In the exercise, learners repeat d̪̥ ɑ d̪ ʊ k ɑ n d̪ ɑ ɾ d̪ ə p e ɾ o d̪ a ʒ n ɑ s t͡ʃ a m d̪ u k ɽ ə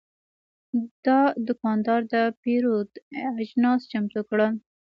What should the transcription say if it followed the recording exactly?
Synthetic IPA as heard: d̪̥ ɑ d̪ ʊ k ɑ n d̪ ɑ ɾ d̪ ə p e ɾ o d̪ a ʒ n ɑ s t͡ʃ a m t̪ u k ɽ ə